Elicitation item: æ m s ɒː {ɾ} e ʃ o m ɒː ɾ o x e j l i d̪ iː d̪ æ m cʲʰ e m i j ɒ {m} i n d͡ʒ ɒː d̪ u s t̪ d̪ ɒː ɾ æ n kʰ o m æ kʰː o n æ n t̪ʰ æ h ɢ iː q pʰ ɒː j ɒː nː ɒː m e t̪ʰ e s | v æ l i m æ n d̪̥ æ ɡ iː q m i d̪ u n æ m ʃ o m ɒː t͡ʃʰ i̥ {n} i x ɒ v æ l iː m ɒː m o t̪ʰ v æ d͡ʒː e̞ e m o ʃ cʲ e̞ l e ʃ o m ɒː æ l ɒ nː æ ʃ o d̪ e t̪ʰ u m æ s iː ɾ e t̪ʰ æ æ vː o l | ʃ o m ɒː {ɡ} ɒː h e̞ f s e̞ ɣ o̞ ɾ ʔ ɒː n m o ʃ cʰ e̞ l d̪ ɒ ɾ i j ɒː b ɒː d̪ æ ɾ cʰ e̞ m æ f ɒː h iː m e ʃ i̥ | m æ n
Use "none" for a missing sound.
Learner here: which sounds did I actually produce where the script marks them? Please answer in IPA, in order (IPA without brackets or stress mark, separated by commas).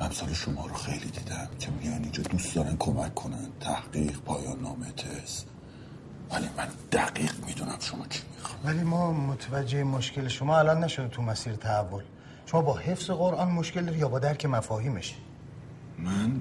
l, n, m, b